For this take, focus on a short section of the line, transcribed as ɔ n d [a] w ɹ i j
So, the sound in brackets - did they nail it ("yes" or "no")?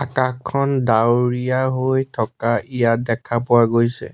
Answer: yes